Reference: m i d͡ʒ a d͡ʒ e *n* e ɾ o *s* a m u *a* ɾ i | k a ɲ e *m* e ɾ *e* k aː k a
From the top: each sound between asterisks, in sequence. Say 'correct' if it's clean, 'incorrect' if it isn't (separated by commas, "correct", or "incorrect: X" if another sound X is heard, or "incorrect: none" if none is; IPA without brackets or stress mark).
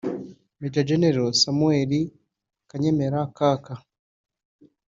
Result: correct, correct, incorrect: e, correct, incorrect: a